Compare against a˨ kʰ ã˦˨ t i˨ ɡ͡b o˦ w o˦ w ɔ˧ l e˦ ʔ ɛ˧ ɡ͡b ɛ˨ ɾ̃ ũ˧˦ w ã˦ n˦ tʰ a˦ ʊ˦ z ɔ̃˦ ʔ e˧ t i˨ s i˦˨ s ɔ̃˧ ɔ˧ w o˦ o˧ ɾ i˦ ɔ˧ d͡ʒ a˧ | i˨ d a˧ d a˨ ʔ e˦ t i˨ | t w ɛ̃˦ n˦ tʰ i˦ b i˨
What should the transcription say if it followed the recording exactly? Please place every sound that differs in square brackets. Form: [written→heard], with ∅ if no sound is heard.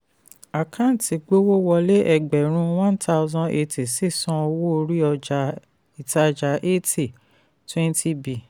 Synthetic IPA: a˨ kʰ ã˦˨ t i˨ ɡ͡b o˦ w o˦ w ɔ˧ l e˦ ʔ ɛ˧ ɡ͡b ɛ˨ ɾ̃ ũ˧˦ w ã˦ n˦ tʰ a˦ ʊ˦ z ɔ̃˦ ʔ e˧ t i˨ s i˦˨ s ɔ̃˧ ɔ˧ w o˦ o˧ ɾ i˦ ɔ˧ d͡ʒ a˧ | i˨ [d→t] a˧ [d→d͡ʒ] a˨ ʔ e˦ t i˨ | t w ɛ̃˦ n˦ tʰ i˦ b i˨